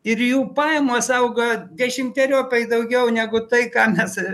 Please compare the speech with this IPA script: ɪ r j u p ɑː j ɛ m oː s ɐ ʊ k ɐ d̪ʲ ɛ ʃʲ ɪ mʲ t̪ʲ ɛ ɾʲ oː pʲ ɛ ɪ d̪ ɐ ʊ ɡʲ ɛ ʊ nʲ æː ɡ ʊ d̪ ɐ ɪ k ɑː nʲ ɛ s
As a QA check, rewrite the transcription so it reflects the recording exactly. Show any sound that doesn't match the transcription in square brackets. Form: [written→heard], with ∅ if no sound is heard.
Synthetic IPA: ɪ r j [u→uː] p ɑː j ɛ m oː s ɐ ʊ [k→ɡ] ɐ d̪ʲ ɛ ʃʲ ɪ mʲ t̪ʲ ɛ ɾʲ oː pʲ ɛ ɪ d̪ ɐ ʊ ɡʲ ɛ ʊ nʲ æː ɡ ʊ [d̪→t̪] ɐ ɪ k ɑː [nʲ→mʲ] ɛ s